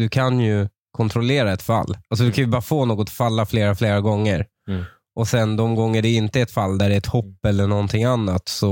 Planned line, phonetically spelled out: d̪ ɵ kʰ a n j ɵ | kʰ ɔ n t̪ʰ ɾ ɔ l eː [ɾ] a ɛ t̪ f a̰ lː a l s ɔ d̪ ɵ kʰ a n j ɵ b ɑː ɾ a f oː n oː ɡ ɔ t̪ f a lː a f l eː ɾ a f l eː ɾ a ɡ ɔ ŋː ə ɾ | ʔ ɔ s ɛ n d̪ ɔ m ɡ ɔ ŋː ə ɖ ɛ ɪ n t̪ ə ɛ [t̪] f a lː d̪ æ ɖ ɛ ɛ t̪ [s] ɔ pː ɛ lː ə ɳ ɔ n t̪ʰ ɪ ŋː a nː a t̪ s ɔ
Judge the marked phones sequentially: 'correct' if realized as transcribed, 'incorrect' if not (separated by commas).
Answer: correct, correct, incorrect